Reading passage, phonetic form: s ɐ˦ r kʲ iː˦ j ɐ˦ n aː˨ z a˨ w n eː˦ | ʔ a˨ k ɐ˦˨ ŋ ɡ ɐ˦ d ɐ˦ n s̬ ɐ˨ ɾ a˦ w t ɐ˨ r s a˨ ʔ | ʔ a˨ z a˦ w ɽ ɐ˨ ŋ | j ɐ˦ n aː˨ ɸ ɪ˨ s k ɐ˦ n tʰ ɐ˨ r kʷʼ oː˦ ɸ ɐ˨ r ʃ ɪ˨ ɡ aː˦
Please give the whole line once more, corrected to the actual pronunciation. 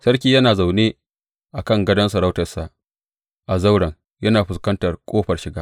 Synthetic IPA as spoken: s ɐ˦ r kʲ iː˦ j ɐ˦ n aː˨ z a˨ w n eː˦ | ʔ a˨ k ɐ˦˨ ŋ ɡ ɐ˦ d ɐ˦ n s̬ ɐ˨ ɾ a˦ w t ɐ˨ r s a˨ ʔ | ʔ a˨ z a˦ w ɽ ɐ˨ ŋ | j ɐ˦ n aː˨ ɸ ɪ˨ s k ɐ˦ n t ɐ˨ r kʷʼ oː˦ ɸ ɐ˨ r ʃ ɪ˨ ɡ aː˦

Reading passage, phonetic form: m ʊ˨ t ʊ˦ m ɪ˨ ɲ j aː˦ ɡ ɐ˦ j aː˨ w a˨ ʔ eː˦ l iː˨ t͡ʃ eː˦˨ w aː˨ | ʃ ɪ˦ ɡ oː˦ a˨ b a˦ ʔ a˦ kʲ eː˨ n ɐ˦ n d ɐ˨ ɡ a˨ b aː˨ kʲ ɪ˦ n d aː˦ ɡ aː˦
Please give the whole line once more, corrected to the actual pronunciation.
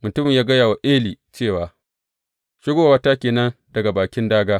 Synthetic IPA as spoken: m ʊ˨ t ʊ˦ m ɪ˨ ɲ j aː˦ ɡ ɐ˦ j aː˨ w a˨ ʔ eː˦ l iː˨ t͡ʃ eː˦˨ w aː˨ | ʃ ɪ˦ ɡ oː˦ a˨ w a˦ t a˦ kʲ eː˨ n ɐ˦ n d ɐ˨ ɡ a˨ b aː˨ kʲ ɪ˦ n d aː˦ ɡ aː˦

